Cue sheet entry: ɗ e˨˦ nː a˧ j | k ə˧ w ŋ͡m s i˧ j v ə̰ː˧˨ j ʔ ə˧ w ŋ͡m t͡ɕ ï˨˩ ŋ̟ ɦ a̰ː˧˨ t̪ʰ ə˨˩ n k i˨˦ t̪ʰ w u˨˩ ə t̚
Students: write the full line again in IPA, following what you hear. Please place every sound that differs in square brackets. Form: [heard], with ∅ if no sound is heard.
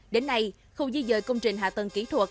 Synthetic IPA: ɗ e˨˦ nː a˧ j | [x] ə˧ w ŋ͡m [z] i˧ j [z] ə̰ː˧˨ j [k] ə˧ w ŋ͡m t͡ɕ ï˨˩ ŋ̟ ɦ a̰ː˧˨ [t̪] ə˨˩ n k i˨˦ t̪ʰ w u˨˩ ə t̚

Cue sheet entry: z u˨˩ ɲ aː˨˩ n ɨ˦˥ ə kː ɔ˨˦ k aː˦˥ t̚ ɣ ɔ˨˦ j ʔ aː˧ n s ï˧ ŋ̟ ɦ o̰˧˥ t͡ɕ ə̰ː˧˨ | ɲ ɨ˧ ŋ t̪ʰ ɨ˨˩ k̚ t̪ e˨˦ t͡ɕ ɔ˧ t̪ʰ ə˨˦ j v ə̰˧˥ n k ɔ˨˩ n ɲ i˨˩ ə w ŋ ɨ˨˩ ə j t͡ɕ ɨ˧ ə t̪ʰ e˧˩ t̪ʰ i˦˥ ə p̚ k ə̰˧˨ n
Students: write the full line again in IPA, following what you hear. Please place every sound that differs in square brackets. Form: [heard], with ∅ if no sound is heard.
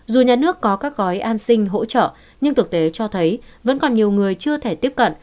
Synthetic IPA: z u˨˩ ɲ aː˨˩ n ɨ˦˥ ə kː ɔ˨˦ k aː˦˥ [k̚] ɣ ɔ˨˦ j ʔ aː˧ n s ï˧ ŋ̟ ɦ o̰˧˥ t͡ɕ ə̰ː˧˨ | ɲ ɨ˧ ŋ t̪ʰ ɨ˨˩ k̚ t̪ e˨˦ t͡ɕ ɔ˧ t̪ʰ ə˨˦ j v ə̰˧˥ n k ɔ˨˩ n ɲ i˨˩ ə w ŋ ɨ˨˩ ə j t͡ɕ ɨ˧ ə t̪ʰ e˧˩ [t̪] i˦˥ ə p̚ k ə̰˧˨ n

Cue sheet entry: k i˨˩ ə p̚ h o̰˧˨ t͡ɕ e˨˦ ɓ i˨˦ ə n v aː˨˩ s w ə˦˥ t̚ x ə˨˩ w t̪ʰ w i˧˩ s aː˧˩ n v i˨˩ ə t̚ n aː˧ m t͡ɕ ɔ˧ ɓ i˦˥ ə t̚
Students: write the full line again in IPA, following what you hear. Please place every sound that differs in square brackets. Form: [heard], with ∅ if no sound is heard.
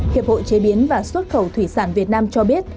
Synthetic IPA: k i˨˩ ə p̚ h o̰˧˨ t͡ɕ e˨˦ ɓ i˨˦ ə n v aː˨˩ s w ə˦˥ t̚ x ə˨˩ w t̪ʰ w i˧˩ s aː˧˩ n v i˨˩ ə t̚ n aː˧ m t͡ɕ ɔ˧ ɓ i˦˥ ə t̚

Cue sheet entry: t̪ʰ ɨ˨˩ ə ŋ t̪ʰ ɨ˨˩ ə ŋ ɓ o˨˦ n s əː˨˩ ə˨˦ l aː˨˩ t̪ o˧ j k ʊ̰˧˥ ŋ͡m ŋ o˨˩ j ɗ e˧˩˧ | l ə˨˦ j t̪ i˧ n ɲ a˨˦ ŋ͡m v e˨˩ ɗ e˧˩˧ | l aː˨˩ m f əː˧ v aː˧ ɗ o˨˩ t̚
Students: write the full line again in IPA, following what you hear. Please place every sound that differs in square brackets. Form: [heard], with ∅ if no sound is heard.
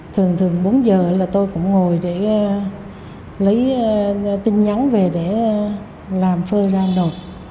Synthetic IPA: t̪ʰ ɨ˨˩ ə ŋ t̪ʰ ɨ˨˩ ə ŋ ɓ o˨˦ n [z] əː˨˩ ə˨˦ l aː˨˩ t̪ o˧ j k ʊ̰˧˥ ŋ͡m ŋ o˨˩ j ɗ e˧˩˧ | l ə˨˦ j t̪ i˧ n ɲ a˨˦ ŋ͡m v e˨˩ ɗ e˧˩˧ | l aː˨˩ m f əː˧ [z] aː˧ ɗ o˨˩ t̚

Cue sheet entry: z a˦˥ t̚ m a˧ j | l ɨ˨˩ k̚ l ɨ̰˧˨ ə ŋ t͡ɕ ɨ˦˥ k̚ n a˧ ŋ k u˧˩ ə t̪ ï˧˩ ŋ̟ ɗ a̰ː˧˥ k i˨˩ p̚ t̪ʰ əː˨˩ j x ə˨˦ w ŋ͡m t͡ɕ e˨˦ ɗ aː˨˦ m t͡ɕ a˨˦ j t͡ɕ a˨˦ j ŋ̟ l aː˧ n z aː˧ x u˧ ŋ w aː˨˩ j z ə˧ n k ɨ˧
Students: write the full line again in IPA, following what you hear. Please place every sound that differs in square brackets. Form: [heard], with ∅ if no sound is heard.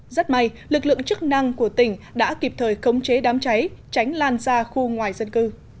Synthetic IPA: z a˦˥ t̚ m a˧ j | l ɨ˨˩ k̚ l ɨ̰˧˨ ə ŋ t͡ɕ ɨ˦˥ k̚ n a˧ ŋ k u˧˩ ə t̪ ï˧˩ ŋ̟ ɗ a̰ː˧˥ k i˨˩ p̚ t̪ʰ əː˨˩ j x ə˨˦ w ŋ͡m t͡ɕ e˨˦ ɗ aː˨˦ m t͡ɕ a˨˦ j t͡ɕ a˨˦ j ŋ̟ l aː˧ n z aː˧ x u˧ ŋ w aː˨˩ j z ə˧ n k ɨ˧

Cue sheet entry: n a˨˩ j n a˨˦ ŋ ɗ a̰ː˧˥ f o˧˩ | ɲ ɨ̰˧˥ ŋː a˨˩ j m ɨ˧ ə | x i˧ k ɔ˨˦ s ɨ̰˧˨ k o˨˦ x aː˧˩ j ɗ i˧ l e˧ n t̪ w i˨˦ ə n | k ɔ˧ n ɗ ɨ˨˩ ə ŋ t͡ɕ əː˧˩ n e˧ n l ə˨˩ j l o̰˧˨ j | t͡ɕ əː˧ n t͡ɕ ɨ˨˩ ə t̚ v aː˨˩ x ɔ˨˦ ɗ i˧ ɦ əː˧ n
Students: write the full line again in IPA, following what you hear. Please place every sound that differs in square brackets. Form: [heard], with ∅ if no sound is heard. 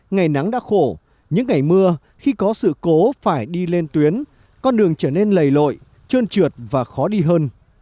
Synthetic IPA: [ŋ] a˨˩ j n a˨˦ ŋ ɗ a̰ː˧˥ [x] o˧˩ | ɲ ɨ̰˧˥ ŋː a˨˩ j m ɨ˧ ə | x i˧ k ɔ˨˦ s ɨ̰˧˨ k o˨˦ [f] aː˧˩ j ɗ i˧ l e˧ n t̪ w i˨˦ ə n | k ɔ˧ n ɗ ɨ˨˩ ə ŋ t͡ɕ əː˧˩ n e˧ n l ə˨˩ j l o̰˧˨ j | t͡ɕ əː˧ n t͡ɕ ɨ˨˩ ə t̚ v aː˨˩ x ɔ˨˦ ɗ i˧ ɦ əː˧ n

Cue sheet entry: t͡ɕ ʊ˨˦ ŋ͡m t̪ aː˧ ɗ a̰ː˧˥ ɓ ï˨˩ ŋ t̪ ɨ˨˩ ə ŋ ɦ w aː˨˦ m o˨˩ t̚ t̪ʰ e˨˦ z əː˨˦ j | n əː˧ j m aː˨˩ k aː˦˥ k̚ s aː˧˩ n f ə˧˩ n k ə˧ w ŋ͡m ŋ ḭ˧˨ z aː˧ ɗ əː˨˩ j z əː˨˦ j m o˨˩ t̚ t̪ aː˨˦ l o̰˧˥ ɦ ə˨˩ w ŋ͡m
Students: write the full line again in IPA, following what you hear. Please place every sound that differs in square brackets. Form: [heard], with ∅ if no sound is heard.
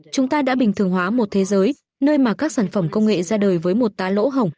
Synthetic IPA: t͡ɕ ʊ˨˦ ŋ͡m t̪ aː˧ ɗ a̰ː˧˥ ɓ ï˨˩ ŋ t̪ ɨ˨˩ ə ŋ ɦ w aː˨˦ m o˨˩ t̚ t̪ʰ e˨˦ z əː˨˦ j | n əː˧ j m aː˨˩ k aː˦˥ k̚ s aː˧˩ n f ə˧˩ [m] k ə˧ w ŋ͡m ŋ [ḛ˧˨] z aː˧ ɗ əː˨˩ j [v] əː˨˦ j m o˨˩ t̚ t̪ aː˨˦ l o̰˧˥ ɦ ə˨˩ w ŋ͡m

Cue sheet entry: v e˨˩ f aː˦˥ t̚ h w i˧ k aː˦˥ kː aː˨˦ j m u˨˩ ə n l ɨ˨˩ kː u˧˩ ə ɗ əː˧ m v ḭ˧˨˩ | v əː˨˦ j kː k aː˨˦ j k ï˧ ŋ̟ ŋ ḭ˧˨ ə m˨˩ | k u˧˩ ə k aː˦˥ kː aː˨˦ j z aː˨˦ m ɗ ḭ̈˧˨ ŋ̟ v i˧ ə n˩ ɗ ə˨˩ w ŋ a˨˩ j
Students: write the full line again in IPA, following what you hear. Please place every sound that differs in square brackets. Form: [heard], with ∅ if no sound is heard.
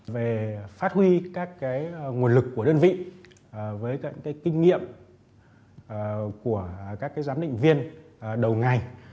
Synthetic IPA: v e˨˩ f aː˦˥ t̚ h w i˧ k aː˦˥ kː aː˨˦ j [ŋ] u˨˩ ə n l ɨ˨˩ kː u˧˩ ə ɗ əː˧ [n] v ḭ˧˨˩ | v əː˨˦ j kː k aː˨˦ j k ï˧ ŋ̟ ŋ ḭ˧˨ ə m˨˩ | k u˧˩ ə k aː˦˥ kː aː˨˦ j z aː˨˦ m ɗ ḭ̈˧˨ ŋ̟ v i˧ ə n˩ ɗ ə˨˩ w ŋ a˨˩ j

